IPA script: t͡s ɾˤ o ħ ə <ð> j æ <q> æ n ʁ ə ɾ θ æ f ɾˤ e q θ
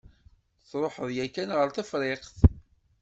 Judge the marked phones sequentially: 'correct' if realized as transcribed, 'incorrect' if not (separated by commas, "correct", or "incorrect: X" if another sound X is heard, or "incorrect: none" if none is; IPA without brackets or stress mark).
correct, incorrect: k